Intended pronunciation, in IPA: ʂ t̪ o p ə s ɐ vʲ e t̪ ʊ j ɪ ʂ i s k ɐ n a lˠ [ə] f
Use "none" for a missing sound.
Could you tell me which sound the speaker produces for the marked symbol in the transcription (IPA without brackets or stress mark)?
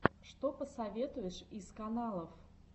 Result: ə